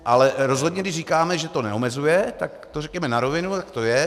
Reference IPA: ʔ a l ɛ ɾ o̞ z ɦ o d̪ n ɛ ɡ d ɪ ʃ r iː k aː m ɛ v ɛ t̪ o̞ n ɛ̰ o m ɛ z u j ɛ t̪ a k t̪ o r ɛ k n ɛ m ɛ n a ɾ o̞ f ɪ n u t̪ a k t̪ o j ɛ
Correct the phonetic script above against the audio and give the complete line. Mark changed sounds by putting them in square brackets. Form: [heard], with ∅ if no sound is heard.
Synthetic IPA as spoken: ʔ a l ɛ ɾ o̞ z ɦ o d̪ [ɲ] ɛ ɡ d ɪ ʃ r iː k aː m ɛ [ʒ] ɛ t̪ o̞ n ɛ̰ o m ɛ z u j ɛ t̪ a k t̪ o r ɛ k [ɲ] ɛ m ɛ n a ɾ o̞ [v] ɪ n u t̪ a k t̪ o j ɛ